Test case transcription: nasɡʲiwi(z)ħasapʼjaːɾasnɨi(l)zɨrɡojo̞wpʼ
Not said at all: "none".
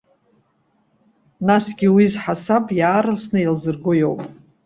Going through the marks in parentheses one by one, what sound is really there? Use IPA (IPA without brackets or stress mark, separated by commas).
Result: z, l